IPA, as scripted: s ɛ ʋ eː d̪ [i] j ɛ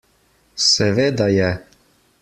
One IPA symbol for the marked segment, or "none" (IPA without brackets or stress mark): a